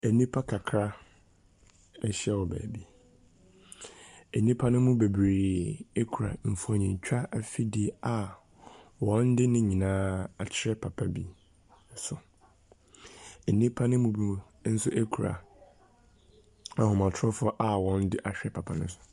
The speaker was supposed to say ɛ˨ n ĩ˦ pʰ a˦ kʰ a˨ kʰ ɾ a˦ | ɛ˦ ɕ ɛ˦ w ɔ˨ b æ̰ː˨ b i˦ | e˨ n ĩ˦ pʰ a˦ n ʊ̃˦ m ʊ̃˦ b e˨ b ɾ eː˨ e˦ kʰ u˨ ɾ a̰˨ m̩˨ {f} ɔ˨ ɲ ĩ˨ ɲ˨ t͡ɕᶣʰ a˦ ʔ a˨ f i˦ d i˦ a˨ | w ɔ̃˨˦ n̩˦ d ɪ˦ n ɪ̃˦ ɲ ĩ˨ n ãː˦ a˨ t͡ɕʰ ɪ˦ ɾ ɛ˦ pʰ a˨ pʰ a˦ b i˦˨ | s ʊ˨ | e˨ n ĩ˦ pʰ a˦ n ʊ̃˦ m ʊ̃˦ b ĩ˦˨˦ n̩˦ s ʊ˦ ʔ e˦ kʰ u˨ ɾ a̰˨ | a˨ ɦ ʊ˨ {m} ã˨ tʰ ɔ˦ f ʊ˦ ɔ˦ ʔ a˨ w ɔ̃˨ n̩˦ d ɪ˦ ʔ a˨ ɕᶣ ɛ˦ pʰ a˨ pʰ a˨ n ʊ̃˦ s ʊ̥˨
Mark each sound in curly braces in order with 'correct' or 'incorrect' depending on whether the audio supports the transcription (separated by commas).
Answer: correct, correct